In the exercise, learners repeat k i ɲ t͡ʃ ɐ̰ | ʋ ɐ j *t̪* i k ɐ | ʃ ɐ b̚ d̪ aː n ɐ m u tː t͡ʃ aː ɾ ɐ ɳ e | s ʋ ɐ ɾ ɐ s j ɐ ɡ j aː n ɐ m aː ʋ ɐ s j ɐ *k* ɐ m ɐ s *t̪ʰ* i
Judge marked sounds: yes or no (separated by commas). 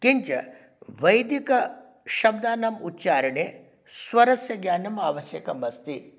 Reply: no, yes, no